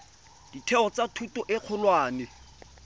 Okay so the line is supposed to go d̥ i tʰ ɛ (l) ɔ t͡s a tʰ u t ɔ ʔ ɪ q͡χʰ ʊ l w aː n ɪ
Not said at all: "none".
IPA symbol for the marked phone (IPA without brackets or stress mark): none